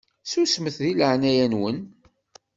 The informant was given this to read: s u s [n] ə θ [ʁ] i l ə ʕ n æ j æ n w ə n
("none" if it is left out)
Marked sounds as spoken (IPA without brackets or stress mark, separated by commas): m, ð